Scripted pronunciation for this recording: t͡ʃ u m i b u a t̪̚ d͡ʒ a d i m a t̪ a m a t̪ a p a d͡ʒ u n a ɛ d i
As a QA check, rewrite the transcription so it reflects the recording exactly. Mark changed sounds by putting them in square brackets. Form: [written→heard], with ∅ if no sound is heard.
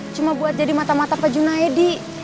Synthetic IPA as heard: t͡ʃ u m [i→a] b u a t̪̚ d͡ʒ a d i m a t̪ a m a t̪ a p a d͡ʒ u n a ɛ d i

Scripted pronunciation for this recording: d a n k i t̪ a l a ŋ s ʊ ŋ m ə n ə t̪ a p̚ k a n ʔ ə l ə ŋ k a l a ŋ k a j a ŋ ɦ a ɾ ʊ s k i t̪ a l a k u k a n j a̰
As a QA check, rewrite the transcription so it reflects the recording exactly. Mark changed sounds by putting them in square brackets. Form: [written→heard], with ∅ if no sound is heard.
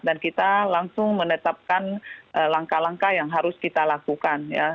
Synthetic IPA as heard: d a n k i t̪ a l a ŋ s ʊ ŋ m ə n ə t̪ a p̚ k a n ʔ ə l [ə→a] ŋ k a l a ŋ k a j a ŋ ɦ a ɾ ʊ s k i t̪ a l a k u k a n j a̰

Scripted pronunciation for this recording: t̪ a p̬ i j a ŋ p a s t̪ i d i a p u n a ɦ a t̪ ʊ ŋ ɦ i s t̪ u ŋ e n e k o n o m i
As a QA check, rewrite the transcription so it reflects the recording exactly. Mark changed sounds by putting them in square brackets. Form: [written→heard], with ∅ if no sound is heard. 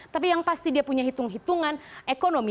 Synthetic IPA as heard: t̪ a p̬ i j a ŋ p a s t̪ i d i a p u [n→ɲ] a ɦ [a→i] t̪ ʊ ŋ ɦ i [s→∅] t̪ u ŋ [e→a] n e k o n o m i

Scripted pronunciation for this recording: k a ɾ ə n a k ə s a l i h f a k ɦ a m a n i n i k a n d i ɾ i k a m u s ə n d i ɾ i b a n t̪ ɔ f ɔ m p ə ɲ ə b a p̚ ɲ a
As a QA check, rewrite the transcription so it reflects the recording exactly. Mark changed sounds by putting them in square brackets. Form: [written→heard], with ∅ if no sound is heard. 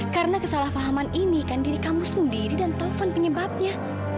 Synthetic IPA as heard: k a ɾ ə n a k ə s a l [i→a] h f a [k→∅] ɦ a m a n i n i k a n d i ɾ i k a m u s ə n d i ɾ i [b→d] a n t̪ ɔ f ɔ [m→n] p ə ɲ ə b a p̚ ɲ a

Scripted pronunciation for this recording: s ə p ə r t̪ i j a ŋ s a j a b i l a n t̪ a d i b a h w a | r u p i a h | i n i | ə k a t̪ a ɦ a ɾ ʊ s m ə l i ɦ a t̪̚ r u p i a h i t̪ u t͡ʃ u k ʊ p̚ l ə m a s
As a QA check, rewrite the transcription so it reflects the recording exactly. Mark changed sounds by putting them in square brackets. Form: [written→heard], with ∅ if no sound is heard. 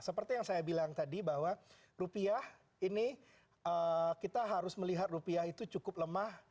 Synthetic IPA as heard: s ə p ə r t̪ i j a ŋ s a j a b i l a [n→ŋ] t̪ a d i b a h w a | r u p i a h | i n i | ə k [a→i] t̪ a ɦ a ɾ ʊ s m ə l i ɦ a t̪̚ r u p i a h i t̪ u t͡ʃ u k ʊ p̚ l ə m a [s→h]

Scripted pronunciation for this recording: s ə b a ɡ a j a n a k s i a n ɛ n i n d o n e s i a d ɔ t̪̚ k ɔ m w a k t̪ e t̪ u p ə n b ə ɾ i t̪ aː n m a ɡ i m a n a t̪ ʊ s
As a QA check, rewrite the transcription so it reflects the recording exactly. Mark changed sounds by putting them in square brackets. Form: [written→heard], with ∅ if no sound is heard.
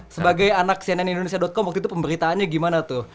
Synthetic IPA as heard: s ə b a ɡ a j a n a k s i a n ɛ n i n d o n e s i a d ɔ t̪̚ k ɔ m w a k t̪ [e→i] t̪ u p ə [n→m] b ə ɾ i t̪ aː n [m→ɲ] a ɡ i m a n a t̪ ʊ [s→h]

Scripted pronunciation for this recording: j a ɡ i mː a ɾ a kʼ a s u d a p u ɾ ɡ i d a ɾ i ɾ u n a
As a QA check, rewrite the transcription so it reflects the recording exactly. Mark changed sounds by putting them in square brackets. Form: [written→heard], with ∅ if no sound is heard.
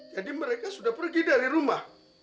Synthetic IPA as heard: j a [ɡ→d] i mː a ɾ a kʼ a s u d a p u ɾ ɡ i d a ɾ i ɾ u [n→m] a

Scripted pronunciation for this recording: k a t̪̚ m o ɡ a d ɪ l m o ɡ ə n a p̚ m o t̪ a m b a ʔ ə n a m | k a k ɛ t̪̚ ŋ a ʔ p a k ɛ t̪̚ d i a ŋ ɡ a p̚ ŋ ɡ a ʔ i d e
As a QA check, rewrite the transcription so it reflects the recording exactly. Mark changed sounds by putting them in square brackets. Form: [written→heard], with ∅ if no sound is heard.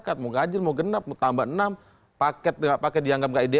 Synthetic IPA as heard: k a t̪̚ m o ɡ a [d→d͡ʒ] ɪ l m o ɡ ə n a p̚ m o t̪ a m b a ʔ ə n a m | [k→p] a k ɛ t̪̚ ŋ a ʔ p a k ɛ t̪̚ d i a ŋ ɡ a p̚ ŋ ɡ a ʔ i d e

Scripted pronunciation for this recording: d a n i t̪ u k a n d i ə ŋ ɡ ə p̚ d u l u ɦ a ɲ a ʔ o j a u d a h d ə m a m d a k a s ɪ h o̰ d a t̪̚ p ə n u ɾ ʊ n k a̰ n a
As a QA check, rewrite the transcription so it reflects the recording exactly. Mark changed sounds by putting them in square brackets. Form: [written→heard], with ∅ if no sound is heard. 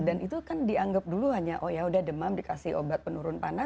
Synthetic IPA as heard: d a n i t̪ u k a n d i [ə→a] ŋ ɡ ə p̚ d u l u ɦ a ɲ a ʔ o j a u d a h d ə m a m d [a→i] k a s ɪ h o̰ [d→b] a t̪̚ p ə n u ɾ ʊ n [k→p] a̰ n a

